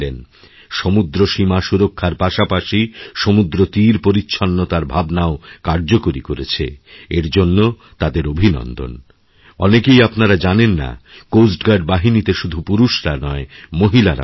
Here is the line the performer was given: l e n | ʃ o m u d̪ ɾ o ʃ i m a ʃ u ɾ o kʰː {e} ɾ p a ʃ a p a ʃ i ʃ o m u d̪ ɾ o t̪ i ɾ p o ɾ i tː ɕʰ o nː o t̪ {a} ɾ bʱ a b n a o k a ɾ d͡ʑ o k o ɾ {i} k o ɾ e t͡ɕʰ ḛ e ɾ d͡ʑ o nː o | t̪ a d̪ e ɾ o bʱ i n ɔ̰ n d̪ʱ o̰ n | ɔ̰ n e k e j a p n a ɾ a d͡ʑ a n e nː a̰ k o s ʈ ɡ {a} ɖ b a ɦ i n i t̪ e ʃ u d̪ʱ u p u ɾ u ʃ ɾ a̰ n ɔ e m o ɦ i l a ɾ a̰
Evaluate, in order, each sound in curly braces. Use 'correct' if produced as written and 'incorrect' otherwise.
incorrect, correct, correct, correct

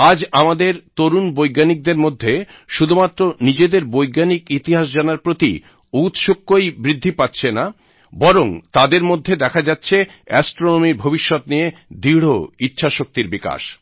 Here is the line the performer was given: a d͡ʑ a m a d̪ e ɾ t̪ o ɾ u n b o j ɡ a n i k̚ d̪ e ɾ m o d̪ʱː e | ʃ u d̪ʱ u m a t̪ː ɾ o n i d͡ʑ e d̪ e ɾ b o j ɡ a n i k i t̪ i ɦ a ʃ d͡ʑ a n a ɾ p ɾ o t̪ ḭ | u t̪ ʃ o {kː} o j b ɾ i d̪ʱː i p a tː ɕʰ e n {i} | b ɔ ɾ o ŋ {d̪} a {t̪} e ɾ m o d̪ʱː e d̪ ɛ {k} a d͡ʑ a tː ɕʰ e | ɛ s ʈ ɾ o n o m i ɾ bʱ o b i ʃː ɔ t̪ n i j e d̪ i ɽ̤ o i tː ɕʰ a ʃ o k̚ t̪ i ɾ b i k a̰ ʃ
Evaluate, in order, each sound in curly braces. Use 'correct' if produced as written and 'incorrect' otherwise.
correct, incorrect, incorrect, incorrect, incorrect

